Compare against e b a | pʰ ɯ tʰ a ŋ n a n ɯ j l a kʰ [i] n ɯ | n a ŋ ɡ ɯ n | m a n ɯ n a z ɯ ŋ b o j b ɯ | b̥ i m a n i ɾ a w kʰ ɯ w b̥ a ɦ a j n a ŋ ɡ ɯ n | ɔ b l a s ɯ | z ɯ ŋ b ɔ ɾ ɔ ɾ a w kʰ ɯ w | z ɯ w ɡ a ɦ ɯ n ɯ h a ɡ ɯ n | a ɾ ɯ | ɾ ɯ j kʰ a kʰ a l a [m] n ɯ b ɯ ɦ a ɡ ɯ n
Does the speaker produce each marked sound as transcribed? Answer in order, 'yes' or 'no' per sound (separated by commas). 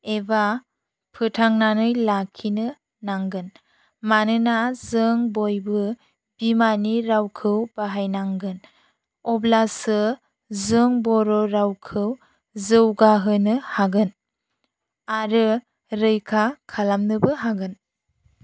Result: yes, yes